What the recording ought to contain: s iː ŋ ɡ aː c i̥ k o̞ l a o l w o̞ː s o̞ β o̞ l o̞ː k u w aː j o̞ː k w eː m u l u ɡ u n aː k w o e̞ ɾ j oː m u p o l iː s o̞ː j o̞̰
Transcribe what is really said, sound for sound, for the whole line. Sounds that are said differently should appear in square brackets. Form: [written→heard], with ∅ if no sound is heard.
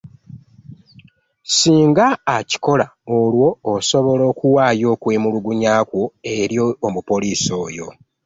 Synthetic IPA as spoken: s iː ŋ ɡ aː c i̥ k o̞ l a o l w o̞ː s o̞ β o̞ l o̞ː k u w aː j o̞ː k w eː m u l u ɡ u [n→ɲ] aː k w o e̞ ɾ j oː m u p o l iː s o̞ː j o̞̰